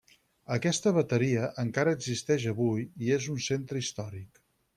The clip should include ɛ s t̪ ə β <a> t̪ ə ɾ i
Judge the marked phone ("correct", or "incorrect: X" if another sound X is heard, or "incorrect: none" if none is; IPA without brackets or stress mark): incorrect: ə